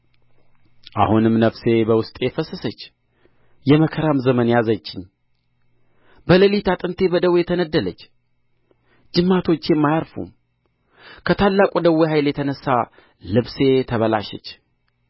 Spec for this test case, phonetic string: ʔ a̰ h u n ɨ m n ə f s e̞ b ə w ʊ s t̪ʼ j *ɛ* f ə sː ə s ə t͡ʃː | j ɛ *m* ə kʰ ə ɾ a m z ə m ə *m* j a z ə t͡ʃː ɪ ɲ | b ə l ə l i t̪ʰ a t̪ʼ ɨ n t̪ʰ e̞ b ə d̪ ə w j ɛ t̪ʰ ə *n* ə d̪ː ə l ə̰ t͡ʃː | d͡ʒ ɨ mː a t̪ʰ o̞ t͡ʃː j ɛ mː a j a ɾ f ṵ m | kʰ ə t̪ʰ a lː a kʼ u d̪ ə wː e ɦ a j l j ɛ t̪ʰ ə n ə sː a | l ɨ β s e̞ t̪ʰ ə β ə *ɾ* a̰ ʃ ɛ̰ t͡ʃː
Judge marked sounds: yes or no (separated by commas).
yes, yes, no, yes, no